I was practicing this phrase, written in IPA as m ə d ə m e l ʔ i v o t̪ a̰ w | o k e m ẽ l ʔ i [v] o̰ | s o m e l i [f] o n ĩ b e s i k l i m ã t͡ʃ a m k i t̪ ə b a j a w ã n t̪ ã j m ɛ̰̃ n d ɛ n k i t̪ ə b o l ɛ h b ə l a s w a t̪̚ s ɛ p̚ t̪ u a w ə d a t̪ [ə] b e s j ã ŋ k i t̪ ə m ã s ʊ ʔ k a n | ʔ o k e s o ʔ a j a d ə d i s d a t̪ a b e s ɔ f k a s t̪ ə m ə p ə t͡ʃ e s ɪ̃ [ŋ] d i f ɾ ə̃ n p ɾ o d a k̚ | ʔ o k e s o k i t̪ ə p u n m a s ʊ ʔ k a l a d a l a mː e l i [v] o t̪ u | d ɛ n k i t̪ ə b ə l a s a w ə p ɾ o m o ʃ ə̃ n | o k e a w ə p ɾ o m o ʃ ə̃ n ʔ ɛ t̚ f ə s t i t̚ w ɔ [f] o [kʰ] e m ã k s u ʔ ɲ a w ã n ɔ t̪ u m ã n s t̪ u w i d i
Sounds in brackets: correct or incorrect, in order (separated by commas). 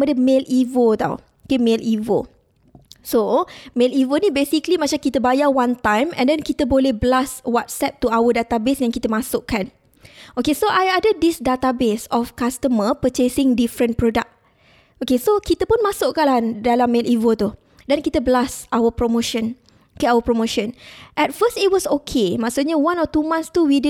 correct, incorrect, incorrect, correct, correct, incorrect, correct